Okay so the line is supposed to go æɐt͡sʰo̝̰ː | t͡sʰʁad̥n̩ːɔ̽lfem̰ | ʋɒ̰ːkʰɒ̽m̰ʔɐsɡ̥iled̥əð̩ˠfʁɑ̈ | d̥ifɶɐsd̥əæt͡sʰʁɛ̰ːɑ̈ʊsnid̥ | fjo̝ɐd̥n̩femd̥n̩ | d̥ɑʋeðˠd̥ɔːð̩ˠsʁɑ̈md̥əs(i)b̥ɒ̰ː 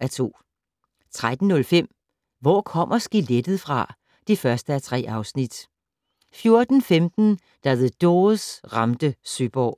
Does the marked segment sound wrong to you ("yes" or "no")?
yes